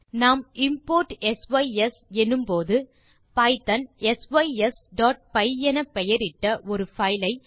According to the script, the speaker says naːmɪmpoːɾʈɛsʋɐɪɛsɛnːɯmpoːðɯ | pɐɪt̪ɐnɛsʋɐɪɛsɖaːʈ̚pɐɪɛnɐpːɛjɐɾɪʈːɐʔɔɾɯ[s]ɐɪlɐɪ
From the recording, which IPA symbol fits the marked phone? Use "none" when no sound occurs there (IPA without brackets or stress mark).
f